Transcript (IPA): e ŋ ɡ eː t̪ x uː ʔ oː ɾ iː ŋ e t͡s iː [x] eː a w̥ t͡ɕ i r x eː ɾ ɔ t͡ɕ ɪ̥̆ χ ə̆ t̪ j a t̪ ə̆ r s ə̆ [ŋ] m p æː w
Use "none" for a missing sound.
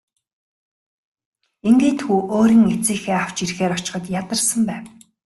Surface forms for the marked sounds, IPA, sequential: x, none

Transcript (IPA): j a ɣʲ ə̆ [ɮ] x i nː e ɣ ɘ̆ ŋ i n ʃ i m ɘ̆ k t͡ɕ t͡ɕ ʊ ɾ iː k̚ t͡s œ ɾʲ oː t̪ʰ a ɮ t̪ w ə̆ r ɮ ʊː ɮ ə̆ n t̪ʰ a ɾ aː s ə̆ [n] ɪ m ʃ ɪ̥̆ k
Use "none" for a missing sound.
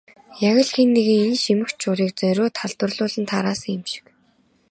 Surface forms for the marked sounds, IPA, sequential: ɮ, ŋ

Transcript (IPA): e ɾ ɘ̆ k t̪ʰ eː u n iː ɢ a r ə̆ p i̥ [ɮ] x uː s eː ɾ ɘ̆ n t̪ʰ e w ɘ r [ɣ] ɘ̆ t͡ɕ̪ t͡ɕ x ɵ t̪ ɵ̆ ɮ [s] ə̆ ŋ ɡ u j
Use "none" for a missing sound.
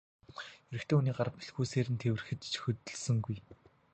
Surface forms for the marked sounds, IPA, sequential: ɮ, x, s

